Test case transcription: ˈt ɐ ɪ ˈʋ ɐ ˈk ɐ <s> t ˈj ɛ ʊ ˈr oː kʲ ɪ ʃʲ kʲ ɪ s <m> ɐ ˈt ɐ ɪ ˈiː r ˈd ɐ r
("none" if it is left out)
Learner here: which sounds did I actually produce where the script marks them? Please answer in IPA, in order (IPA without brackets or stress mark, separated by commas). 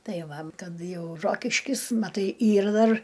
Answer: none, m